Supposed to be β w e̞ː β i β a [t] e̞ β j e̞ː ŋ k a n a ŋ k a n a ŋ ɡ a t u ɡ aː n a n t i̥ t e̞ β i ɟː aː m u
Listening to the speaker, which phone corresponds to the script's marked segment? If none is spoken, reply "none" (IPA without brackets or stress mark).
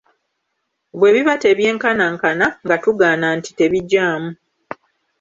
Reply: t